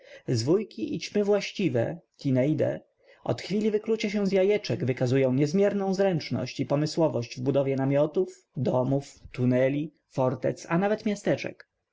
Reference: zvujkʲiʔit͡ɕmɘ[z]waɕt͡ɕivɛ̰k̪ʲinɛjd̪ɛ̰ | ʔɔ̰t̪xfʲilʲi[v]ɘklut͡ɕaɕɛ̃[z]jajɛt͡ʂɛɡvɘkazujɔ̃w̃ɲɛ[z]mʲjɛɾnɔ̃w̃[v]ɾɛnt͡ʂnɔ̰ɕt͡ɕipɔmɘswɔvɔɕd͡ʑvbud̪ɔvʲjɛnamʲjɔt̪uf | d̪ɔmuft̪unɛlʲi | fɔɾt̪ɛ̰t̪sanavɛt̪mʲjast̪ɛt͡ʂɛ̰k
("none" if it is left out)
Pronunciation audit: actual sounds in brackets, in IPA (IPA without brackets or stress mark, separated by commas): v, v, z, z, z